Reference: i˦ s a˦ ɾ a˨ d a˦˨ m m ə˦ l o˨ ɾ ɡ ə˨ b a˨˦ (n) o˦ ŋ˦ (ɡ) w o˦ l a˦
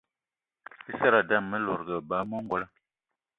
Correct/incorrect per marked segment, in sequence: incorrect: m, correct

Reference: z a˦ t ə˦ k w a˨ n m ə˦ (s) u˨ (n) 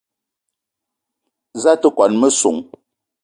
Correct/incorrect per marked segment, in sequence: correct, incorrect: ŋ

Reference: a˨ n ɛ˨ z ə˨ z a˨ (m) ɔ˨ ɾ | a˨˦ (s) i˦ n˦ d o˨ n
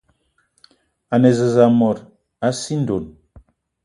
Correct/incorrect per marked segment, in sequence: correct, correct

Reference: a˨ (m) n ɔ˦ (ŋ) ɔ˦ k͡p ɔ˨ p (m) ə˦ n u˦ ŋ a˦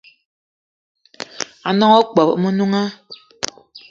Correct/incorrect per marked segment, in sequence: incorrect: none, correct, correct

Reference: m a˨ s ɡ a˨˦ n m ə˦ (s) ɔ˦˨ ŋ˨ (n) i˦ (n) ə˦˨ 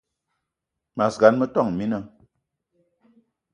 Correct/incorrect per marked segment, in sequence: incorrect: t, incorrect: m, correct

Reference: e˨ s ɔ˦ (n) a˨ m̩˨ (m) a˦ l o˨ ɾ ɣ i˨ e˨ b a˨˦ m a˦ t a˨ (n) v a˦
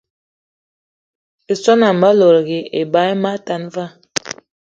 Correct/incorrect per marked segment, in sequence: correct, incorrect: b, correct

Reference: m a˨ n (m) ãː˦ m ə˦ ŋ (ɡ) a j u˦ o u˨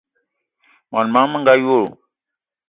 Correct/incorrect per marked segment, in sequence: correct, correct

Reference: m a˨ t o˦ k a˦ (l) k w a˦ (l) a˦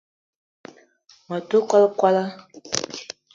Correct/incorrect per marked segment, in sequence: correct, correct

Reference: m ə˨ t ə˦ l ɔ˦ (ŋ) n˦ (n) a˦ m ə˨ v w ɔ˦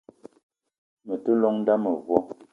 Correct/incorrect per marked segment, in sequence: correct, incorrect: d

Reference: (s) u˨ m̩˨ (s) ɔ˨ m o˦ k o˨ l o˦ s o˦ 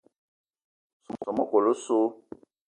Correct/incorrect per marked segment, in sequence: correct, correct

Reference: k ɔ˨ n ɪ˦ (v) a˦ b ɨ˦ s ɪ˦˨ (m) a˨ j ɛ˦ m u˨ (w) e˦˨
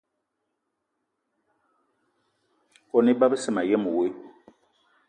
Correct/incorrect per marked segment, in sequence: incorrect: b, correct, correct

